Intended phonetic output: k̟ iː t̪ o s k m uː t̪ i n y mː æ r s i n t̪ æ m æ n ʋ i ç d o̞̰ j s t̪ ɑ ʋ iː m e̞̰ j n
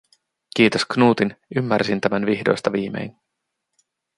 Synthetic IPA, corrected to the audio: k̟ iː t̪ o s k n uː t̪ i n y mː æ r s i n t̪ æ m æ n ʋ i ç d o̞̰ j s t̪ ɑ ʋ iː m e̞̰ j n